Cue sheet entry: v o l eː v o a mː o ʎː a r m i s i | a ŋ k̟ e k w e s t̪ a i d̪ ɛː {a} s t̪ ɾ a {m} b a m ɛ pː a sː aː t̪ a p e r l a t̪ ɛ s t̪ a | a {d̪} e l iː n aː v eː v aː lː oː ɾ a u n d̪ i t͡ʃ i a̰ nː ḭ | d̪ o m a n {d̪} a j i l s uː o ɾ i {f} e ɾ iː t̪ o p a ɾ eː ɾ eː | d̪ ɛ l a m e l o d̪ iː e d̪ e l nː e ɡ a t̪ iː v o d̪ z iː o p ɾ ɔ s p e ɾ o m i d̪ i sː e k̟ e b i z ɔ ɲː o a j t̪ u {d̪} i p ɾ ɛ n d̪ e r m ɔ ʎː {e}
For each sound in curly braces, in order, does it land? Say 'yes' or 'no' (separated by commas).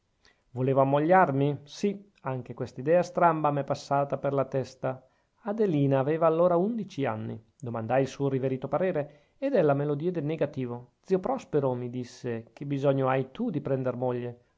yes, yes, yes, yes, no, yes, yes